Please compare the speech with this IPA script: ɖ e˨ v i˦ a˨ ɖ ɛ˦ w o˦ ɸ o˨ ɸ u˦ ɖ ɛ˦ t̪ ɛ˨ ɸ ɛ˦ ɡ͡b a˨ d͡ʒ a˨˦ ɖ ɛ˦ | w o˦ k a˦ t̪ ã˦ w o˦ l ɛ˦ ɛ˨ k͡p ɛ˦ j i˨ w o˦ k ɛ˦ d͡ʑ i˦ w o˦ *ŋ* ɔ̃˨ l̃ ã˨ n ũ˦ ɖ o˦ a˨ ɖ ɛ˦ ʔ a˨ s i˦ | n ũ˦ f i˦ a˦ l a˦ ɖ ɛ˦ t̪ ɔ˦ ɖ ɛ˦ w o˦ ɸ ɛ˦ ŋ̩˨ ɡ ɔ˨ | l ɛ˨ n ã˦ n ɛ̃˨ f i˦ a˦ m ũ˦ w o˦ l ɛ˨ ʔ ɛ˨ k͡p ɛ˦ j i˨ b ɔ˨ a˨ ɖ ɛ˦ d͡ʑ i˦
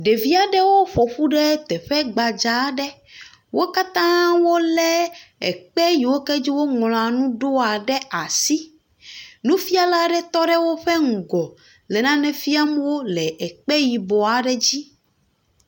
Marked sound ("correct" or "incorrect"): correct